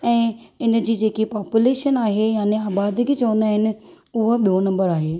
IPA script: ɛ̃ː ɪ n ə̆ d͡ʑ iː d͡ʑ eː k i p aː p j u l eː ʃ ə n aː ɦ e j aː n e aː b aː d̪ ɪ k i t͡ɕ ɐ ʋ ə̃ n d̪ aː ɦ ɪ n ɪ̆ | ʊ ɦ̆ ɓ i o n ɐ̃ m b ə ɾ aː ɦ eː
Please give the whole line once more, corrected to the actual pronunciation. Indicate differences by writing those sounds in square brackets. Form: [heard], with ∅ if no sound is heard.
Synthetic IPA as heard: ɛ̃ː ɪ n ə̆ d͡ʑ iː d͡ʑ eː k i p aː p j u l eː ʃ ə n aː ɦ e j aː n e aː b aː d̪ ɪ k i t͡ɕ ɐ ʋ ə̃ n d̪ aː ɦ ɪ n ɪ̆ | ʊ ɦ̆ ɓ i o n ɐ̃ m b ə ɾ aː ɦ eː